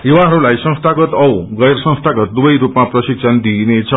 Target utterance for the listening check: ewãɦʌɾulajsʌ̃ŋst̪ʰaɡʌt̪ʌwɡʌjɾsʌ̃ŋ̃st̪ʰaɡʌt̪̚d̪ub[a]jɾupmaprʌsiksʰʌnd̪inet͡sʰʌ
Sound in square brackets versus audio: incorrect: ʌ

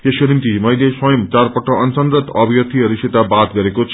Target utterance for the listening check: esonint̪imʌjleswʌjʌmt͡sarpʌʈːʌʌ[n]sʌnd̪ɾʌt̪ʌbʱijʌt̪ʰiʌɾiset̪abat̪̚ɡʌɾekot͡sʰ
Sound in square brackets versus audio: correct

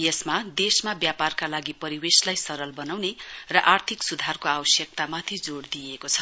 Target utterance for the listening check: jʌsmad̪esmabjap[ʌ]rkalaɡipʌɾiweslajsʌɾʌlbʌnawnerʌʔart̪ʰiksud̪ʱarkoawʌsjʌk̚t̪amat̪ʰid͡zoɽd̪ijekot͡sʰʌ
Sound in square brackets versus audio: incorrect: a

